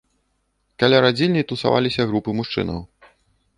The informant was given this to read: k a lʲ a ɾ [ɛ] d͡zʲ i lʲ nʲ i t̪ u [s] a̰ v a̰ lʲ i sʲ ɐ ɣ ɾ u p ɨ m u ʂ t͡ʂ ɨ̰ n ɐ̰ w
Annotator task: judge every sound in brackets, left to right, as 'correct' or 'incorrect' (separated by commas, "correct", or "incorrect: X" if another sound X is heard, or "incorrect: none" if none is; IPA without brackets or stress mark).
incorrect: a, correct